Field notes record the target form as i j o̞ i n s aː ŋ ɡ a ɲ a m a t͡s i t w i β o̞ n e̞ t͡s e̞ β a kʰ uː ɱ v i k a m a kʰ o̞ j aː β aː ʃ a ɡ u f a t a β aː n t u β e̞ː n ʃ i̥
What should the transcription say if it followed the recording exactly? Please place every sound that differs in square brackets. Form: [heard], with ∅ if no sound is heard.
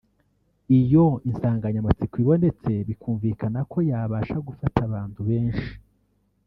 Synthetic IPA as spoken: i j o̞ i n s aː ŋ ɡ a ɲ a m a t͡s i [k] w i β o̞ n e̞ t͡s e̞ β [i] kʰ uː ɱ v i k a [n] a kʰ o̞ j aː β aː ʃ a ɡ u f a t a β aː n t u β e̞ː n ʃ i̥